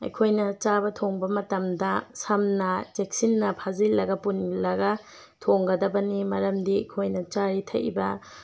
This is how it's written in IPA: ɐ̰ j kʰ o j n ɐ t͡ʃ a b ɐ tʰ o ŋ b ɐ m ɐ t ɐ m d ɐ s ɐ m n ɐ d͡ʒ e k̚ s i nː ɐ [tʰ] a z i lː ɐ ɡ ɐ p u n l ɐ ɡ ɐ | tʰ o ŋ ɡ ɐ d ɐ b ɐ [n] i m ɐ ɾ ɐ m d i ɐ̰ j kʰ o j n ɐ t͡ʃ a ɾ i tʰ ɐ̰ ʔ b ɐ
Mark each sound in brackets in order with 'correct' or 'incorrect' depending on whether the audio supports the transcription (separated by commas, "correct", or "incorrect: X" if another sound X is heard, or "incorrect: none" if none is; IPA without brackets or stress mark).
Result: incorrect: pʰ, correct